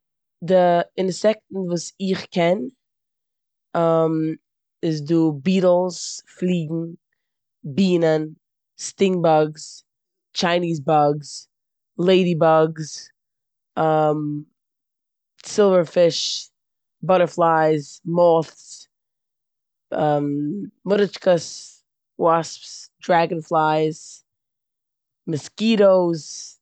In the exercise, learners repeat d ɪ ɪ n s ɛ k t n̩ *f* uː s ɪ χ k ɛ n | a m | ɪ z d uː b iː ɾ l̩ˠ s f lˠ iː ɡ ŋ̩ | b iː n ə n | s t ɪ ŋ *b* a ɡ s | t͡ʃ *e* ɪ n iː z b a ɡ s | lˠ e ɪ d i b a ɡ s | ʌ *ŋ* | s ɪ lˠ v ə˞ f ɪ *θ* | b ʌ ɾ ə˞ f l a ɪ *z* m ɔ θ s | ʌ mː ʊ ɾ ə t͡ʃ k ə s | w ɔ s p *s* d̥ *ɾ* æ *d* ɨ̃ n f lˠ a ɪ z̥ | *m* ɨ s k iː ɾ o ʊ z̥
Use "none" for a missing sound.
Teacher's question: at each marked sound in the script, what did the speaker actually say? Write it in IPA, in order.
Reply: v, b, a, m, ʃ, z, s, ɹ, ɡ, m

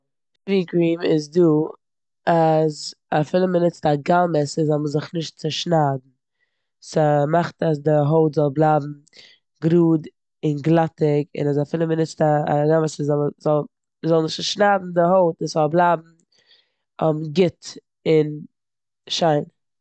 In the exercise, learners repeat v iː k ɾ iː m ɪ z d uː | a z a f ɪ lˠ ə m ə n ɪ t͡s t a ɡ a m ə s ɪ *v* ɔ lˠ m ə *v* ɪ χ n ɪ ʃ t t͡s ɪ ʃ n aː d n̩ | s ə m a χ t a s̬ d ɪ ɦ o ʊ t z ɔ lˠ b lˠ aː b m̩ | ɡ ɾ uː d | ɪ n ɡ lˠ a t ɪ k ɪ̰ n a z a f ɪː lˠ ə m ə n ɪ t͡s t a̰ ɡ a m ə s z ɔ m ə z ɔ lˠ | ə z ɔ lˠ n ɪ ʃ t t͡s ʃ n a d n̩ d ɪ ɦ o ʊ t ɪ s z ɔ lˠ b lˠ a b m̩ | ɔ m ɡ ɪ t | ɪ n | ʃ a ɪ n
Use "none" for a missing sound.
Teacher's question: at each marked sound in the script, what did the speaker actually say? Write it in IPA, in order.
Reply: z, z

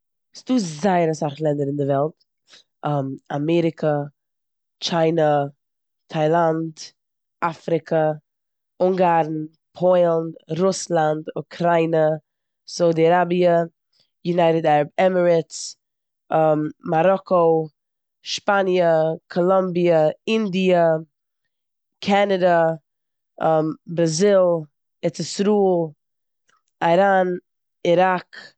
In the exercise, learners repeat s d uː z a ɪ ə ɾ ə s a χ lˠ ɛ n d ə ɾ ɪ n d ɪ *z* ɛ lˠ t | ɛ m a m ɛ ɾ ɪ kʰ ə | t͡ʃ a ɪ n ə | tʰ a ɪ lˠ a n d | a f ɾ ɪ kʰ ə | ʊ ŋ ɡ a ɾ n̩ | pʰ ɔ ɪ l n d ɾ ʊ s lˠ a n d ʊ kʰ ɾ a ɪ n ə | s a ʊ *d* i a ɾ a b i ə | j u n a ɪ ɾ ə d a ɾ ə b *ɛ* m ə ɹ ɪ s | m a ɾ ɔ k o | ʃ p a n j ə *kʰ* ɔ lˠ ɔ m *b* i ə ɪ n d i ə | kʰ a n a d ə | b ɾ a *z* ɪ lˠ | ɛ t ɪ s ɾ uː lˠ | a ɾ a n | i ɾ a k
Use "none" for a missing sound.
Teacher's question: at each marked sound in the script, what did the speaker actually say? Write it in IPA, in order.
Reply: v, d, ɛ, kʰ, b, z

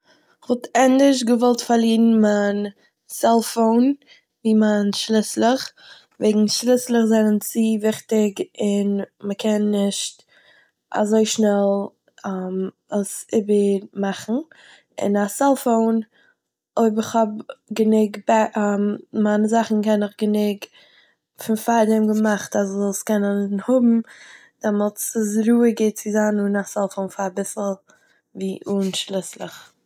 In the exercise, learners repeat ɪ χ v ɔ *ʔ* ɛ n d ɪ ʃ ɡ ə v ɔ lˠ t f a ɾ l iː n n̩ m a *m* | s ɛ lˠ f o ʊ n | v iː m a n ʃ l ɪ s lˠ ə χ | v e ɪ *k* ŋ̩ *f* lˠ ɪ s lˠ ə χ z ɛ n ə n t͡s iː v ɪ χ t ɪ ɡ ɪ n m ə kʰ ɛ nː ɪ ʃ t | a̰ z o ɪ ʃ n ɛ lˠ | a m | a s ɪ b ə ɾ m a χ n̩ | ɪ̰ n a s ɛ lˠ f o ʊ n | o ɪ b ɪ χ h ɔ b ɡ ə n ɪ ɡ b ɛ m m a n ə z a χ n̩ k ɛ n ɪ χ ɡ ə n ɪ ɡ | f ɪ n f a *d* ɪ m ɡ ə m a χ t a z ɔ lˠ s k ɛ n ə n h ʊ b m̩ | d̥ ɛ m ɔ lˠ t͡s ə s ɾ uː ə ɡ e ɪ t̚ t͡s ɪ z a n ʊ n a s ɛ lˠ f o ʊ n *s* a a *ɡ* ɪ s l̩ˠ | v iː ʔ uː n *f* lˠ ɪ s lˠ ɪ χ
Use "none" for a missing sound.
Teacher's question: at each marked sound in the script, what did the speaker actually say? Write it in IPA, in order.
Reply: t, n, ɡ, ʃ, d, f, b, ʃ

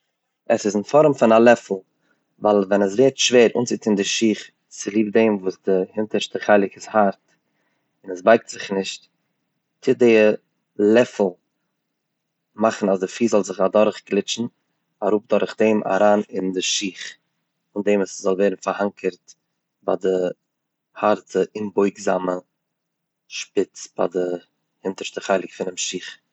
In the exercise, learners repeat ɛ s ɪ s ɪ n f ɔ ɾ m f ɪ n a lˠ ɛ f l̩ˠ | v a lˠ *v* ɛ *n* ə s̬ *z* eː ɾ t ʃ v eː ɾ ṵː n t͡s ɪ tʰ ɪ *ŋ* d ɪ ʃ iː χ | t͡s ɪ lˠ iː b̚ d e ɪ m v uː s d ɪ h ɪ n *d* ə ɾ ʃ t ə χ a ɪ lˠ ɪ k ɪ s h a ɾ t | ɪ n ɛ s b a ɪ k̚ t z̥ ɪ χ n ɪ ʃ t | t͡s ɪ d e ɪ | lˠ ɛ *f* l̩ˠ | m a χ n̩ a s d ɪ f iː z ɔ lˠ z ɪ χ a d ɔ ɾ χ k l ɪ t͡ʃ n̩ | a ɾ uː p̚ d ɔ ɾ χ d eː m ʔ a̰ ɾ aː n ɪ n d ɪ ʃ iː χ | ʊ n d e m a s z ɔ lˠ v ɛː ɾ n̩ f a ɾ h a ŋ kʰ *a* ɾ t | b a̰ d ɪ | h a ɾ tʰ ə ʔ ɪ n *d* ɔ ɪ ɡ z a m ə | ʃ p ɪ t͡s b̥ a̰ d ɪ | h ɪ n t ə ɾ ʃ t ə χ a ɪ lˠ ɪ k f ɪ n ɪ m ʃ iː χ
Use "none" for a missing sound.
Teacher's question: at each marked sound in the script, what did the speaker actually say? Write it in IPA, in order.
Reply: v, n, v, n, t, f, ə, b

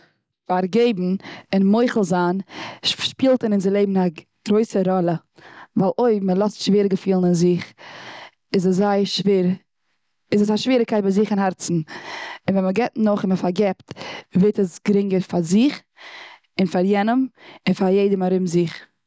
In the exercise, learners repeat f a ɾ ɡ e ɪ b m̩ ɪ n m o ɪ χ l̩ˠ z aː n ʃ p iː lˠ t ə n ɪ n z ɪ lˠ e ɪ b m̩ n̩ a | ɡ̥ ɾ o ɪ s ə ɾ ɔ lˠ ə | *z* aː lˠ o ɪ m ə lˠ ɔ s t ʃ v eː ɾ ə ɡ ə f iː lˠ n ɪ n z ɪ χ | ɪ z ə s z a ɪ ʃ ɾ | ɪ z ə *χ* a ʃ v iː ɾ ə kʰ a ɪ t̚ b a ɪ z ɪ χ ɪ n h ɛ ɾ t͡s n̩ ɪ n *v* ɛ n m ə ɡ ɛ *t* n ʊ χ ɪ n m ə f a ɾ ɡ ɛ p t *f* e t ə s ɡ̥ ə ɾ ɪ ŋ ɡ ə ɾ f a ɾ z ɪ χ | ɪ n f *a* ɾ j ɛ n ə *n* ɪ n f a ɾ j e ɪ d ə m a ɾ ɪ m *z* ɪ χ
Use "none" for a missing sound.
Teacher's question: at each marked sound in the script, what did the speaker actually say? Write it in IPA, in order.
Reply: v, s, v, t, v, a, m, z

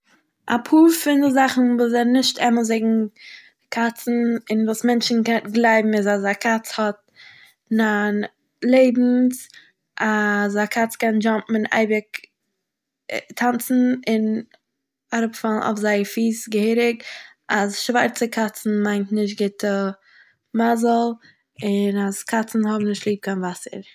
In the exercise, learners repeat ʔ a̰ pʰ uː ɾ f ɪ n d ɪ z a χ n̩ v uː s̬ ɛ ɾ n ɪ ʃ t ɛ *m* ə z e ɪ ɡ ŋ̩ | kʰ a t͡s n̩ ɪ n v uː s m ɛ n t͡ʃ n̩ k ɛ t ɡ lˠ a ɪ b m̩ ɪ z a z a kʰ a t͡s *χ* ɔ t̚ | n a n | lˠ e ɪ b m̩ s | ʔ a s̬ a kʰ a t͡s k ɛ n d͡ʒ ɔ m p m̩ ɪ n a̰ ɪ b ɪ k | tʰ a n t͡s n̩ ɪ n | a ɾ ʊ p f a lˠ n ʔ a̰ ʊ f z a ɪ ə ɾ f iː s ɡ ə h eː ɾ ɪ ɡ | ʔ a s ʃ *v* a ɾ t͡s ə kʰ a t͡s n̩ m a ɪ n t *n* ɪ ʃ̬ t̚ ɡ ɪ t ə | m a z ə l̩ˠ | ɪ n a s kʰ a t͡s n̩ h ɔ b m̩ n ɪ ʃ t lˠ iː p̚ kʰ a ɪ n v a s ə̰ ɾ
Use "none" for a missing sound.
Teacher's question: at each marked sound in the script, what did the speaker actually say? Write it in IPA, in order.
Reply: m, h, v, n

